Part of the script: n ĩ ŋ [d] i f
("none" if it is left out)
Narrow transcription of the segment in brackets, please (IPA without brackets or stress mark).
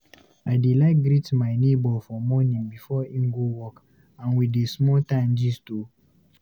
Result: b